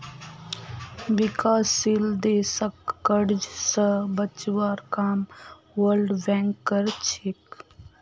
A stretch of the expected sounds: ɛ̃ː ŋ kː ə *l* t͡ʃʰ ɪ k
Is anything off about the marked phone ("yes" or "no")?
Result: yes